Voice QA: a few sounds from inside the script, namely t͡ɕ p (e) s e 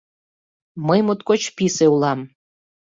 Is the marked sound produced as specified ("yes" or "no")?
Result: no